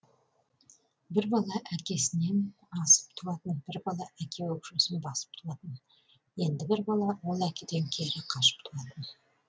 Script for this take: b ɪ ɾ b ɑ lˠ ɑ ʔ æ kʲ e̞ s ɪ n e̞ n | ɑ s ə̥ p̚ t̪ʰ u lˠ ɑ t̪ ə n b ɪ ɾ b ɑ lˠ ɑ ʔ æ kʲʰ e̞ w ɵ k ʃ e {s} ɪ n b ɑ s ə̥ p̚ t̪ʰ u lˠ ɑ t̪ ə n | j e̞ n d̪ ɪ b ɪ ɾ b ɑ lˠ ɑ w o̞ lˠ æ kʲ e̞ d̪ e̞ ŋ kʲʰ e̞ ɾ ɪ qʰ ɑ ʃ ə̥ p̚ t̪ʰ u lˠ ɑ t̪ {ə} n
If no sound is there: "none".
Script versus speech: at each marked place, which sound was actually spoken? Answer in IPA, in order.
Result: s, ə

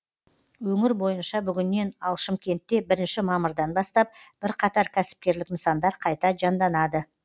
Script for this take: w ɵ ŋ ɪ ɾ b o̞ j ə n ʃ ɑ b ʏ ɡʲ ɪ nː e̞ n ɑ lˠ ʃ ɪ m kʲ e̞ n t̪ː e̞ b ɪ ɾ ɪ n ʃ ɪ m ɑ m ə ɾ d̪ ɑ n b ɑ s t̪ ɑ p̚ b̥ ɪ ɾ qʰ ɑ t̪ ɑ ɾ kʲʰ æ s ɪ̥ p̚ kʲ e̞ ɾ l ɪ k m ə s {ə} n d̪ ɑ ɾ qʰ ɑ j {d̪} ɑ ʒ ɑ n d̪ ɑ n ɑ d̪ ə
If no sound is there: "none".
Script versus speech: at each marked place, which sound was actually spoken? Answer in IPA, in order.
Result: ɑ, t̪

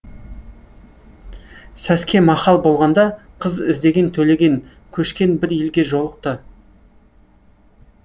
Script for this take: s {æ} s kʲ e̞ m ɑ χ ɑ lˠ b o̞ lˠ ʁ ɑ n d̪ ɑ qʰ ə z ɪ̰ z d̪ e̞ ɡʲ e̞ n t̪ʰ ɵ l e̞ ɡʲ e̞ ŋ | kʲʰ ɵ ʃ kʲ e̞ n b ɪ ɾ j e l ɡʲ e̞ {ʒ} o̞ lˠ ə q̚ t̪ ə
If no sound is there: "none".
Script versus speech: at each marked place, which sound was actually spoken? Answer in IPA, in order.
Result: æ, ʒ

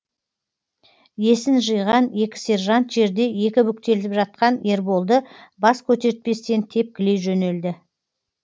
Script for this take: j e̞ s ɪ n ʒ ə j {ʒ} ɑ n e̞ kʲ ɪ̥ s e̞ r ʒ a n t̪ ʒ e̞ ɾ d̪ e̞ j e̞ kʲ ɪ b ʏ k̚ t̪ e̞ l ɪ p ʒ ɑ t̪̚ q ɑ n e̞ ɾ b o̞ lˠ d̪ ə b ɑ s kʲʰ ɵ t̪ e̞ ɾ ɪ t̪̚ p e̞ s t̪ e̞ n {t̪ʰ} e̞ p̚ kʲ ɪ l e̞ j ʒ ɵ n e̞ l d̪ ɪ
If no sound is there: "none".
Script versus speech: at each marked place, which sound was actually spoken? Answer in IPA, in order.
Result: ʁ, t̪ʰ

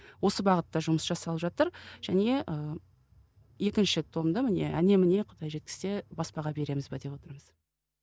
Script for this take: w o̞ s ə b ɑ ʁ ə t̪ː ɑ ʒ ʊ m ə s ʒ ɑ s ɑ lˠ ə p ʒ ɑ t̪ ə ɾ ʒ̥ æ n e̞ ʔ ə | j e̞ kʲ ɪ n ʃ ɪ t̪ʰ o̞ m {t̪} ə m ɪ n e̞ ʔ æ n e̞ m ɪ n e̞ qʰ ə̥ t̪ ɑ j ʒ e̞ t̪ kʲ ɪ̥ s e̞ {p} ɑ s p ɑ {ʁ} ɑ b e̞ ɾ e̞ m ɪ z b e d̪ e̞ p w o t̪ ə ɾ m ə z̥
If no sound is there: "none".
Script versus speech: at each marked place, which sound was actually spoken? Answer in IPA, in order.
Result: d̪, b, ʁ

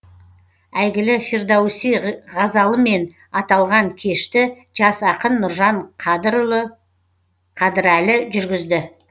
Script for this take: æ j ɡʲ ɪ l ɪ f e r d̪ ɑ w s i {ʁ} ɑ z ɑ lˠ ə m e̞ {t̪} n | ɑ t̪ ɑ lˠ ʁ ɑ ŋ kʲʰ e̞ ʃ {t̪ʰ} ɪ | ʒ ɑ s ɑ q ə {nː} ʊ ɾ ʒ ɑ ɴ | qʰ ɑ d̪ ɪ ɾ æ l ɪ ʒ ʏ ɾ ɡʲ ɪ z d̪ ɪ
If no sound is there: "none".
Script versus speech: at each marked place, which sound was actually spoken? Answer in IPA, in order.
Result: ʁ, none, t̪, nː

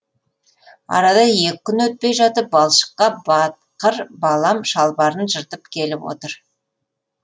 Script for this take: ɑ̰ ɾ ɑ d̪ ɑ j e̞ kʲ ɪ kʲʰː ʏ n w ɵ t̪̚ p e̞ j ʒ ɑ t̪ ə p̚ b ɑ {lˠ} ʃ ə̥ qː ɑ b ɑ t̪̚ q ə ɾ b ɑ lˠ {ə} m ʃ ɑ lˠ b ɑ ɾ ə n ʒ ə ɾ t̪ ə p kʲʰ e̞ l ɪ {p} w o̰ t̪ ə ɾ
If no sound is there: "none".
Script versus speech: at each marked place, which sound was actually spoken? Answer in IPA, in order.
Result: lˠ, ɑ, p

